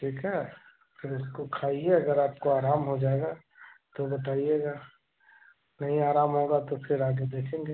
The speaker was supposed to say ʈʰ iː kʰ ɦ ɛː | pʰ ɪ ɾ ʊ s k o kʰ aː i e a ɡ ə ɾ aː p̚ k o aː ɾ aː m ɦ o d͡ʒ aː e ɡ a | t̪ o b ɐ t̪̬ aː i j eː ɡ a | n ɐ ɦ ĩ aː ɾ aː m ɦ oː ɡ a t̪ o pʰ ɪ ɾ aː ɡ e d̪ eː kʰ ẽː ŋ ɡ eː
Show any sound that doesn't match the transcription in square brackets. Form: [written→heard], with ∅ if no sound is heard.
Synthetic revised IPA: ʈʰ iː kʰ ɦ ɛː | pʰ ɪ ɾ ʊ s k o kʰ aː i e [a→ɐ] ɡ ə ɾ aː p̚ k o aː ɾ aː m ɦ o d͡ʒ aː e ɡ a | t̪ o b ɐ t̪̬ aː i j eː ɡ a | n ɐ ɦ ĩ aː ɾ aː m ɦ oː ɡ a t̪ o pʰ ɪ ɾ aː ɡ e d̪ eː kʰ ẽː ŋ ɡ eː